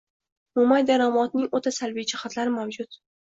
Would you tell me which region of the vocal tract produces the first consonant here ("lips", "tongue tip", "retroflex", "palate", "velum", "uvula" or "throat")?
lips